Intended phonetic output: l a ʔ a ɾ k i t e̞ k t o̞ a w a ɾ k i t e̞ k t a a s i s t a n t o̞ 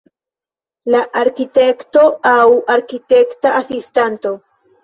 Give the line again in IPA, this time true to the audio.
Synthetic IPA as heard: l a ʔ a ɾ k i t e̞ k t o̞ a w a ɾ k i t e̞ k t a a s i s t a n t o̞

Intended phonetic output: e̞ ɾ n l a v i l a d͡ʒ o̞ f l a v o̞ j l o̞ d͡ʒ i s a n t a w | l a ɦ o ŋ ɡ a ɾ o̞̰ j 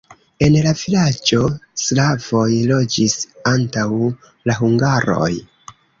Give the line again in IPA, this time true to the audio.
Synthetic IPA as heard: e̞ n l a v i l a d͡ʒ o̞ s l a v o̞ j l o̞ d͡ʒ i s a n t a w | l a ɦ u ŋ ɡ a ɾ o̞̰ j

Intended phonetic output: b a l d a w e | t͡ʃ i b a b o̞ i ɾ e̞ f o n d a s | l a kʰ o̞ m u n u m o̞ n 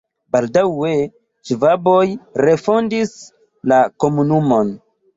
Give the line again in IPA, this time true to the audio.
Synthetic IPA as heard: b a l d a w e | t͡ʃ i v a b o̞ j ɾ e̞ f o n d i s | l a k o̞ m u n u m o̞ n

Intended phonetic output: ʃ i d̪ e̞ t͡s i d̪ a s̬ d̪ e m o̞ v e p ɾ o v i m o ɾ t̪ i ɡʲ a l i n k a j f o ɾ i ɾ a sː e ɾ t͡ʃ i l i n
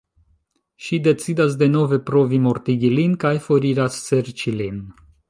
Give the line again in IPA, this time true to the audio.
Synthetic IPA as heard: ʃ i d̪ e̞ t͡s i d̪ a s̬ d̪ e n o̞ v e p ɾ o v i m o ɾ t̪ i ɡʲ i l i n k a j f o ɾ i ɾ a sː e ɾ t͡ʃ i l i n

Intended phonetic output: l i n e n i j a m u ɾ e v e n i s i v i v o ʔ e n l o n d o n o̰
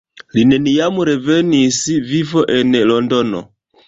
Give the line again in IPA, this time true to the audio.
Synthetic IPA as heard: l i n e n i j a m u ɾ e v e n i s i v i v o ʔ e n l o n d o n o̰

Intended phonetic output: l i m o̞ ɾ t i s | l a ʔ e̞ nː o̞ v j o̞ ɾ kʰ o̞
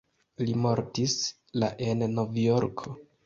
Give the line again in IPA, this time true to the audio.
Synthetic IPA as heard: l i m o̞ ɾ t i s | l a ʔ e̞ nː o̞ v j o̞ ɾ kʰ o̞

